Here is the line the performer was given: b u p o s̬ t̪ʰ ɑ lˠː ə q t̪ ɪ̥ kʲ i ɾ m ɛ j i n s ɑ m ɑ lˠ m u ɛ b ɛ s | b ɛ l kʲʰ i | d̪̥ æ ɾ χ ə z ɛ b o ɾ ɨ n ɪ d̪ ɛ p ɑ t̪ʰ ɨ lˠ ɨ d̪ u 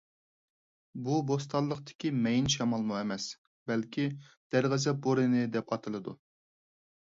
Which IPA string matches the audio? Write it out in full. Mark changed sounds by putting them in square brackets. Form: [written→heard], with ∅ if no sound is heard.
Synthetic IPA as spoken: b u [p→b] o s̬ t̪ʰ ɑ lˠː ə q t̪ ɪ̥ kʲ i [ɾ→∅] m ɛ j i n [s→ʃ] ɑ m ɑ lˠ m u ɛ [b→m] ɛ s | b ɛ l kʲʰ i | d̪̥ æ ɾ [χ→ʁ] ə z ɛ b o ɾ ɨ n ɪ d̪ ɛ p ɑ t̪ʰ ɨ lˠ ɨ d̪ u